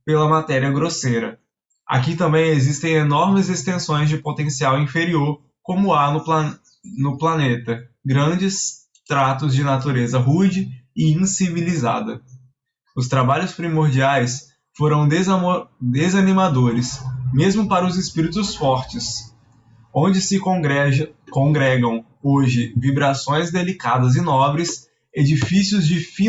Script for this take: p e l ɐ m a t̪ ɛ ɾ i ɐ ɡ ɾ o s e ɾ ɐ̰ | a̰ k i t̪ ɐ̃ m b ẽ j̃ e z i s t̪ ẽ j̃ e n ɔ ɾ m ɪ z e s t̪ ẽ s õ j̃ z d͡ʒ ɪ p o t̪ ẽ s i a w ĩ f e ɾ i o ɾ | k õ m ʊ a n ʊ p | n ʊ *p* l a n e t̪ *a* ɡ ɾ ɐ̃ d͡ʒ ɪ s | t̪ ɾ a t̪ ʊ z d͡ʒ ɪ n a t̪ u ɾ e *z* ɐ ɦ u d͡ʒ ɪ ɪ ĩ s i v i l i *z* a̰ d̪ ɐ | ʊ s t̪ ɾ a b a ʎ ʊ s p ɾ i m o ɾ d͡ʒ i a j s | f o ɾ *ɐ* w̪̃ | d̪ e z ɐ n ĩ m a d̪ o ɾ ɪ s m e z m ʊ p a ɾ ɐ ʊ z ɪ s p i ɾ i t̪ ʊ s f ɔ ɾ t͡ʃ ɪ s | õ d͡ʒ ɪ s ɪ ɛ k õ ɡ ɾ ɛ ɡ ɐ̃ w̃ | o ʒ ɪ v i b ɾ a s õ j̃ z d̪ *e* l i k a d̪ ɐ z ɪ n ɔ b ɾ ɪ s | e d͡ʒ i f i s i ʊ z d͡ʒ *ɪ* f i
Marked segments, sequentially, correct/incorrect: correct, incorrect, correct, correct, incorrect, correct, correct

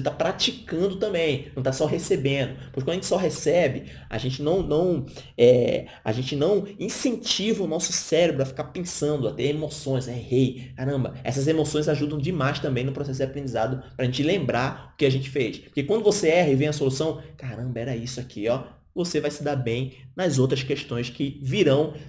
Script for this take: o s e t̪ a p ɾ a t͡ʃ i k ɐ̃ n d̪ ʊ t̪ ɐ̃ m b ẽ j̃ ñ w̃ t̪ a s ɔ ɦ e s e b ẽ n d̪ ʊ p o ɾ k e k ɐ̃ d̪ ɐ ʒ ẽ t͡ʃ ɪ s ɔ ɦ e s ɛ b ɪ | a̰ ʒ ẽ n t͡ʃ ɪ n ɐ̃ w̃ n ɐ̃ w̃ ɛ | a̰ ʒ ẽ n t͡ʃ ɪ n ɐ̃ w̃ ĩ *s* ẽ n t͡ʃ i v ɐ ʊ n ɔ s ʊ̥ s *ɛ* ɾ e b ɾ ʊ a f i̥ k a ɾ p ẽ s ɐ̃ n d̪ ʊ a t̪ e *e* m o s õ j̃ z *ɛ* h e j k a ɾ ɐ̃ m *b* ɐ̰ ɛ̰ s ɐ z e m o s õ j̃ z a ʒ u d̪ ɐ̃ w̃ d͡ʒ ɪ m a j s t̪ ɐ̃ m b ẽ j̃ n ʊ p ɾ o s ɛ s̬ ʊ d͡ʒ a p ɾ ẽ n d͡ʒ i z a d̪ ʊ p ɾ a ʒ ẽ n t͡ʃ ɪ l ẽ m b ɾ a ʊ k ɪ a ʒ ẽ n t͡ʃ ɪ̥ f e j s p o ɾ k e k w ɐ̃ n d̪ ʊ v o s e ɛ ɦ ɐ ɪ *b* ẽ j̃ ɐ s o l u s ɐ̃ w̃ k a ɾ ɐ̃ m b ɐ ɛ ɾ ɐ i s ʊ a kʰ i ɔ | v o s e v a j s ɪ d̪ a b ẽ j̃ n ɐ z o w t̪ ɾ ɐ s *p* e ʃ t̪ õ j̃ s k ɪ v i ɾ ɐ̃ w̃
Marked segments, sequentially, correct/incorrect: correct, correct, correct, correct, correct, incorrect, incorrect

